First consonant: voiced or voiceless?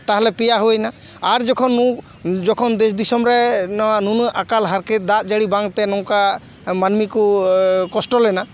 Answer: voiceless